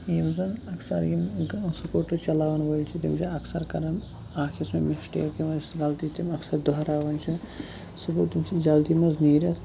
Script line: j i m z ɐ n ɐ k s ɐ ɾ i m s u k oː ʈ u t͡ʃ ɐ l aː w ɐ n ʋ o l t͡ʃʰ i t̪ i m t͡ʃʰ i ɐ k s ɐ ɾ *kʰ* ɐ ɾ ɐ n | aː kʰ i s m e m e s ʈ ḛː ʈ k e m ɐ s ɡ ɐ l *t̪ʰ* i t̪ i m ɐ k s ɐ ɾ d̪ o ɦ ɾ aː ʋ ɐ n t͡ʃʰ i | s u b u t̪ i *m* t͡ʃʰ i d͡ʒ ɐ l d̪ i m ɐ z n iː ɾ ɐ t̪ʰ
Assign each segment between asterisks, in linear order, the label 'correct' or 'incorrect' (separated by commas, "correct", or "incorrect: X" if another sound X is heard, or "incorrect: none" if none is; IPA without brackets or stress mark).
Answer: incorrect: k, incorrect: t̪, correct